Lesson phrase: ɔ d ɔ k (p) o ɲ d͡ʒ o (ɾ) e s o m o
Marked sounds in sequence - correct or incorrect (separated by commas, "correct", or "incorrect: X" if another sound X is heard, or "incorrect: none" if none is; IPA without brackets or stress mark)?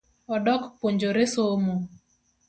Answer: correct, correct